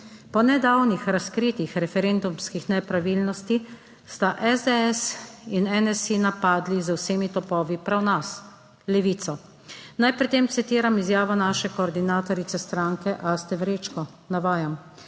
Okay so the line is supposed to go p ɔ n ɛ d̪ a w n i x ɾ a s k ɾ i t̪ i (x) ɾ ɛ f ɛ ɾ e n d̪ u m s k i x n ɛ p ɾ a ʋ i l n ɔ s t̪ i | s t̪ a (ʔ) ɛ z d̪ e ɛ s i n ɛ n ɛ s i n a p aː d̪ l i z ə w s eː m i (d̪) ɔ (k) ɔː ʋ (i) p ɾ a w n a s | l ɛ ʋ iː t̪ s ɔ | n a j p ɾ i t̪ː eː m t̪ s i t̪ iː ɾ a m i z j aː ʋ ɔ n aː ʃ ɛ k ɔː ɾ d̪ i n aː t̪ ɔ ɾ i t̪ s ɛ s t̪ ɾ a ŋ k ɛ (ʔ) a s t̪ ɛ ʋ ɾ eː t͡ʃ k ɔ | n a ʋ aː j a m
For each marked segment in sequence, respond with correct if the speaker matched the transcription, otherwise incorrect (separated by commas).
correct, correct, incorrect, incorrect, correct, correct